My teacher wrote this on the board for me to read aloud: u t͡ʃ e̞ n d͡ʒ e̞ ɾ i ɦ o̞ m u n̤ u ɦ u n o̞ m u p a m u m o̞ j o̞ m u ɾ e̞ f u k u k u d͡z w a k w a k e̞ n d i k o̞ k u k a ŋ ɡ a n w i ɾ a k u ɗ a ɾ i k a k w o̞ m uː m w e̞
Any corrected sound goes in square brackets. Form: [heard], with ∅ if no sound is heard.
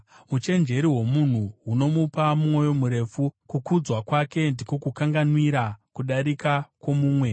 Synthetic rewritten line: u t͡ʃ e̞ n d͡ʒ e̞ ɾ i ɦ o̞ m u n̤ u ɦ u n o̞ m u p a m u m o̞ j o̞ m u ɾ e̞ f u k u k u d͡z w a k w a k e̞ n d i k o̞ k u k a ŋ ɡ a n w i ɾ a k u ɗ a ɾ i k a k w o̞ m uː m w e̞